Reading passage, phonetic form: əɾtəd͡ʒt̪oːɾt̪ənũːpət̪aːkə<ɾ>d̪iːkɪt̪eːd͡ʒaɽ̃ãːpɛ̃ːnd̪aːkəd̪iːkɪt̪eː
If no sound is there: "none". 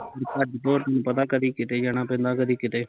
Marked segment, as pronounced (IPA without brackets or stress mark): none